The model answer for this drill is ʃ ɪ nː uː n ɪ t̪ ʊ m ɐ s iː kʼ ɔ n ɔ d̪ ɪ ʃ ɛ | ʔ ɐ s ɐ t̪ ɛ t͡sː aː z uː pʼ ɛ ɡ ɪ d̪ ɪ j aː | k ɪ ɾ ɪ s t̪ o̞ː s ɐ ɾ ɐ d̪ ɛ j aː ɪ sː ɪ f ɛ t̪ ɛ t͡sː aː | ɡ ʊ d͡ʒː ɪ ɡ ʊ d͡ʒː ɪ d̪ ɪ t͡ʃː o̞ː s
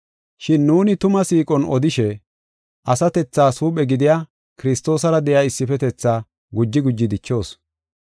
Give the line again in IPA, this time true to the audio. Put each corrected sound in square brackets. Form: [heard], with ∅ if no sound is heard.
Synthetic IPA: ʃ ɪ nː uː n ɪ t̪ ʊ m ɐ s iː kʼ ɔ n ɔ d̪ ɪ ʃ ɛ | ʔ ɐ s ɐ t̪ ɛ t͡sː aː [s] uː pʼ ɛ ɡ ɪ d̪ ɪ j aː | k ɪ ɾ ɪ s t̪ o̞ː s ɐ ɾ ɐ d̪ ɛ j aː ɪ sː ɪ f ɛ t̪ ɛ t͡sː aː | ɡ ʊ d͡ʒː ɪ ɡ ʊ d͡ʒː ɪ d̪ ɪ t͡ʃː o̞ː s